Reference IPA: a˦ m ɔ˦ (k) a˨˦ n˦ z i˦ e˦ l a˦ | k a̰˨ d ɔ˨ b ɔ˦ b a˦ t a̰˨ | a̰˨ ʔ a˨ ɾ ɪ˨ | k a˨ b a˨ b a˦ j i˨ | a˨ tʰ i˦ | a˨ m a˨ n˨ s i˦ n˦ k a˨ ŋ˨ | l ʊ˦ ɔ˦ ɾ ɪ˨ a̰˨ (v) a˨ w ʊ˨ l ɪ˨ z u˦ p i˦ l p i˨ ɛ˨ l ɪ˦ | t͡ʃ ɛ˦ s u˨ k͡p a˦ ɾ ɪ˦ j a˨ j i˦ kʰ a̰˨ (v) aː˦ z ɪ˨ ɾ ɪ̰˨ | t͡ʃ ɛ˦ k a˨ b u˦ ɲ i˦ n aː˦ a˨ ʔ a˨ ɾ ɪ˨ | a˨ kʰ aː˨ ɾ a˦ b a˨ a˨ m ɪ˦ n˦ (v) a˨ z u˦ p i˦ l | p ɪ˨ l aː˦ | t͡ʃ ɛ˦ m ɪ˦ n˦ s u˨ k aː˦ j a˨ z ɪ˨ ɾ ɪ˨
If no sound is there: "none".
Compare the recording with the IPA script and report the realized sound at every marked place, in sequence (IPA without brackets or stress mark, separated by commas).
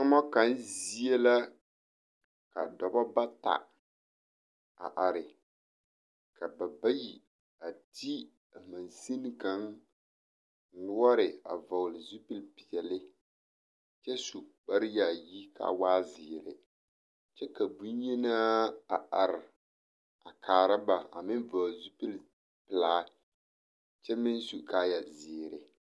k, v, w, v